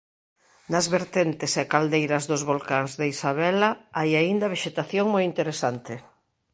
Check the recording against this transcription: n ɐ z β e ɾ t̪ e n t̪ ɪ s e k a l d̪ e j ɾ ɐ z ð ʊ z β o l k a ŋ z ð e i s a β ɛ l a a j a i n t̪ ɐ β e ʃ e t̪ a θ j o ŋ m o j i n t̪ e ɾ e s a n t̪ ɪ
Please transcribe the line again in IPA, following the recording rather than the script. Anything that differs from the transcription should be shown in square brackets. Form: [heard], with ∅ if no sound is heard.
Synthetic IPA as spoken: n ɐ z β e ɾ t̪ e n t̪ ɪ s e k a l d̪ e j ɾ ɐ z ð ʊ z β o l k a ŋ z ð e i s a β ɛ l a a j a i n [d̪] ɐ β e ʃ e t̪ a θ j o ŋ m o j i n t̪ e ɾ e s a n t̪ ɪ